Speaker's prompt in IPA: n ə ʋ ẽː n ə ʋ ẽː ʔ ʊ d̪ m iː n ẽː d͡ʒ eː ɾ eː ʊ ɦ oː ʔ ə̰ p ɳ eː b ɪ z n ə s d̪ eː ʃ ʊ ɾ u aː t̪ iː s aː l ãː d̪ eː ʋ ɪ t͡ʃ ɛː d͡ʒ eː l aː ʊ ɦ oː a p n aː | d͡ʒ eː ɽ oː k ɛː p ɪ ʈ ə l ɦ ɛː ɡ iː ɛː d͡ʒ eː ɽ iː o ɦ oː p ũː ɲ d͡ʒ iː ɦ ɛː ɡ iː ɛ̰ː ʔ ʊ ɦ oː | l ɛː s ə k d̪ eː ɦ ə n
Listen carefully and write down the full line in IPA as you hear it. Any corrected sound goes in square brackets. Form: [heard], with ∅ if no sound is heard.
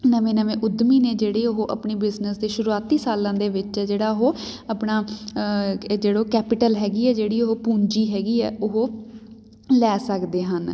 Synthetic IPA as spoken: n ə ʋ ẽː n ə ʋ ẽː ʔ ʊ d̪ m iː n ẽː d͡ʒ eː [ɽ] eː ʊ ɦ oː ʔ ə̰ p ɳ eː b ɪ z n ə s d̪ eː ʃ ʊ ɾ u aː t̪ iː s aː l ãː d̪ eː ʋ ɪ t͡ʃ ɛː d͡ʒ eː [ɽ] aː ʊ ɦ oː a p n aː | d͡ʒ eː ɽ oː k ɛː p ɪ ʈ ə l ɦ ɛː ɡ iː ɛː d͡ʒ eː ɽ iː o ɦ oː p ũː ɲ d͡ʒ iː ɦ ɛː ɡ iː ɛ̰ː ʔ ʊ ɦ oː | l ɛː s ə k d̪ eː ɦ ə n

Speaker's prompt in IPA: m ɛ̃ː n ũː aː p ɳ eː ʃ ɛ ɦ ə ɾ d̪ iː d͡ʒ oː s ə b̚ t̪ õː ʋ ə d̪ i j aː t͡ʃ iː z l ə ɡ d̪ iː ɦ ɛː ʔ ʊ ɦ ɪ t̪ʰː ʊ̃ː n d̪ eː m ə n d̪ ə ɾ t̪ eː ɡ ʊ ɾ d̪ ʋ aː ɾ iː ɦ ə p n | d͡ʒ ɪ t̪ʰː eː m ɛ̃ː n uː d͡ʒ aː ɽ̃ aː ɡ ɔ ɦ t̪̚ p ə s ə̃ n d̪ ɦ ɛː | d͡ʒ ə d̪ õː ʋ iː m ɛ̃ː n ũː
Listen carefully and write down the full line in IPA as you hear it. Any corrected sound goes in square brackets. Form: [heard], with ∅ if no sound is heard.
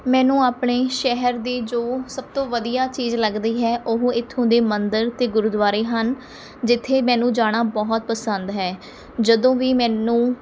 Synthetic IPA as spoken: m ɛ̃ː n ũː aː p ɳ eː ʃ ɛ ɦ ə ɾ d̪ iː d͡ʒ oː s ə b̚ t̪ õː ʋ ə d̪ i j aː t͡ʃ iː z l ə ɡ d̪ iː ɦ ɛː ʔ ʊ ɦ ɪ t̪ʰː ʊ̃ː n d̪ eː m ə n d̪ ə ɾ t̪ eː ɡ ʊ ɾ d̪ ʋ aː ɾ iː ɦ ə [∅] n | d͡ʒ ɪ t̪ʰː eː m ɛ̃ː n [ũː] d͡ʒ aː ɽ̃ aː [b] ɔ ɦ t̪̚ p ə s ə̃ n d̪ ɦ ɛː | d͡ʒ ə d̪ õː ʋ iː m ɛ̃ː n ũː

